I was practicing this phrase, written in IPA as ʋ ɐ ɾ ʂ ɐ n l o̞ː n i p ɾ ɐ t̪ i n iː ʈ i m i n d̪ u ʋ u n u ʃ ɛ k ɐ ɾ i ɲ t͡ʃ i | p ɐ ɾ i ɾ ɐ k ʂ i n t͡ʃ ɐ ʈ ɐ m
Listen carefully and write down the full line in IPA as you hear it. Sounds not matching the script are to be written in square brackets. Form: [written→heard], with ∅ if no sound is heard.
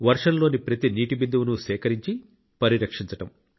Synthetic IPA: ʋ ɐ ɾ ʂ ɐ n l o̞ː n i p ɾ ɐ t̪ i n iː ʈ i [m→b] i n d̪ u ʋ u n u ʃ [ɛ→ɛː] k ɐ ɾ i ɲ t͡ʃ i | p ɐ ɾ i ɾ ɐ k ʂ i [n→ɲ] t͡ʃ ɐ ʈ ɐ m

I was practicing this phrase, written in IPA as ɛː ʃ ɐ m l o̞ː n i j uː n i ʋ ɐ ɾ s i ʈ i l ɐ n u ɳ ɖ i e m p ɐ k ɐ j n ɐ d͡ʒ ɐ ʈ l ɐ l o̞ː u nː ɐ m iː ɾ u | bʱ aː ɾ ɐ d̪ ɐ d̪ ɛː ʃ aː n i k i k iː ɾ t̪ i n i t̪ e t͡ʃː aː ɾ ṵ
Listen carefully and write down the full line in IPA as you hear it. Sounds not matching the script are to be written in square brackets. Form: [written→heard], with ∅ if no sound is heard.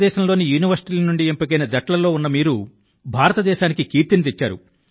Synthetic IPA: ɛː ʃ ɐ m l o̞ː n i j uː n i ʋ ɐ ɾ s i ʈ i l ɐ n u ɳ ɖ i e m p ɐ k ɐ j n ɐ d͡ʒ ɐ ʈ l ɐ l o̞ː u nː ɐ m iː ɾ u | bʱ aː ɾ ɐ [d̪→t̪] ɐ d̪ ɛː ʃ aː n i k i k iː ɾ t̪ i n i t̪ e t͡ʃː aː ɾ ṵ

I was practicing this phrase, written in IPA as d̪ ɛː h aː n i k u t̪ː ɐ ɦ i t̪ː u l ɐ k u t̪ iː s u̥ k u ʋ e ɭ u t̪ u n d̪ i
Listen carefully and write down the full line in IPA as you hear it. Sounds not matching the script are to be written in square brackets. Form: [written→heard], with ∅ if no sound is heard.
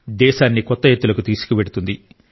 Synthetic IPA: d̪ ɛː [h→ʃ] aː [n→nː] i k [u→ɔ] t̪ː ɐ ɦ [i→e] t̪ː u l ɐ k u t̪ iː s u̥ k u ʋ e [ɭ→ɽ] u t̪ u n d̪ i

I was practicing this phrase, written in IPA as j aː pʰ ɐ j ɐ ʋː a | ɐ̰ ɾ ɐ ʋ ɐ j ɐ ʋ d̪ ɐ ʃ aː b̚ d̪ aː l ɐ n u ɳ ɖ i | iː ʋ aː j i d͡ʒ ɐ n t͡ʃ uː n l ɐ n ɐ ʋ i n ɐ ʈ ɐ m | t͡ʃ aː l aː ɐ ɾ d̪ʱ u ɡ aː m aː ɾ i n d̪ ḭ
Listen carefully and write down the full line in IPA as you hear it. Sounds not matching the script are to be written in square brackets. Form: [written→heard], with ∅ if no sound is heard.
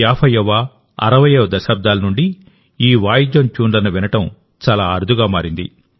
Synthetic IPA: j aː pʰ ɐ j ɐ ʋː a | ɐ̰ ɾ ɐ ʋ ɐ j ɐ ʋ d̪ ɐ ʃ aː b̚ d̪ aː l ɐ n u ɳ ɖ i | iː ʋ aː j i d͡ʒ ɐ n t͡ʃ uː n l ɐ n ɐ ʋ i n ɐ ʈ ɐ m | t͡ʃ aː l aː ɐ ɾ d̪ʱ u ɡ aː m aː ɾ i n d̪ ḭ

